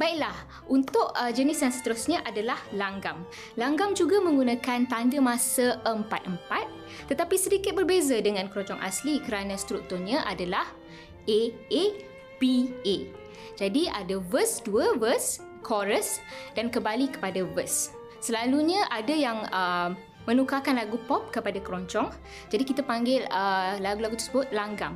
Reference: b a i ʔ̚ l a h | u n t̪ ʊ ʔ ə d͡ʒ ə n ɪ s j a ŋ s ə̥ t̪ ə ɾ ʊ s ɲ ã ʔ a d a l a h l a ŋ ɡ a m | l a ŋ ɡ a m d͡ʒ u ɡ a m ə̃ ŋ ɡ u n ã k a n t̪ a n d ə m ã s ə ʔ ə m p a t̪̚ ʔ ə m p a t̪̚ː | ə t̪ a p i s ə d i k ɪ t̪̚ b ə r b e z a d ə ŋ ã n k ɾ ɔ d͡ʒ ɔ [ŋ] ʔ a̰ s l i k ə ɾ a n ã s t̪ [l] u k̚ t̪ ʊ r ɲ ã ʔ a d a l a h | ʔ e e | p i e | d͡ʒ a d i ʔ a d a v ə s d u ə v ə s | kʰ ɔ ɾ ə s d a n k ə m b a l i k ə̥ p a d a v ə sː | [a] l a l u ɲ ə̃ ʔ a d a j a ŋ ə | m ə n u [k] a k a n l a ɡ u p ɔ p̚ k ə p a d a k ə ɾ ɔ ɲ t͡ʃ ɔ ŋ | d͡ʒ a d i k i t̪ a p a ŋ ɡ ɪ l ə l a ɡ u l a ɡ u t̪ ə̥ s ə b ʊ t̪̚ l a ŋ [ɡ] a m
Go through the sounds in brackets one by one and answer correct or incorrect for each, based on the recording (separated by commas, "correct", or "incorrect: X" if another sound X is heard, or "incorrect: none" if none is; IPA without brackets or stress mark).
correct, incorrect: ɾ, incorrect: ə, correct, correct